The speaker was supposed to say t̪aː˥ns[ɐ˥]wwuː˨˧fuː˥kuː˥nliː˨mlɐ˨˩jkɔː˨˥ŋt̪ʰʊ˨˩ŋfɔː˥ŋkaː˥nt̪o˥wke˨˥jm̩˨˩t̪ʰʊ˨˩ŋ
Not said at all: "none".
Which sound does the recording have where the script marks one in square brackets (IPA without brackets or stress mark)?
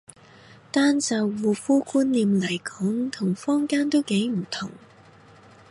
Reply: ɐ˨˧